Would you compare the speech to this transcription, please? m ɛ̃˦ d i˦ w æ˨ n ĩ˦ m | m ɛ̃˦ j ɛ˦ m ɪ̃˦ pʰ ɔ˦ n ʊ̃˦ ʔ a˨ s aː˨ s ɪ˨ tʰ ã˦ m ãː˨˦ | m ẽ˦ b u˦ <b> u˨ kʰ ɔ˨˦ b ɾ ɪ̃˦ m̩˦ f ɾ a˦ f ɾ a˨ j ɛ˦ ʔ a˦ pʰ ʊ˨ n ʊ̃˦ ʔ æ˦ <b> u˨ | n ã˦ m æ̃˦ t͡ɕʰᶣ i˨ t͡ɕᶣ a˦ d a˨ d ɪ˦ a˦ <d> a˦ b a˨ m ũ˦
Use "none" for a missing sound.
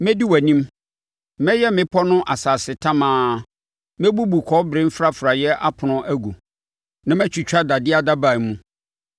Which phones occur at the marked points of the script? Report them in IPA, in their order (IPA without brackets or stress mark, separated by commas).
b, ɡ, d